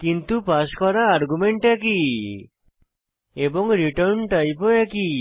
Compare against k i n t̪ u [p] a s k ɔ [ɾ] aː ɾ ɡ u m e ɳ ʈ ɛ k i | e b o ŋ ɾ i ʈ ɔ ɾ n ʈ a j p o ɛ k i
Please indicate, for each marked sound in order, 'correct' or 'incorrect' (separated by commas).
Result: correct, correct